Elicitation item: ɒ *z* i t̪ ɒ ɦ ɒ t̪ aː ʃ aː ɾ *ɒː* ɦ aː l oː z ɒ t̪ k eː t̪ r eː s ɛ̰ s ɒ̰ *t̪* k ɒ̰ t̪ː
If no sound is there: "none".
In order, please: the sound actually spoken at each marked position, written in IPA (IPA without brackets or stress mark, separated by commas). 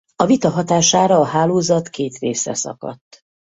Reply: v, ɒː, none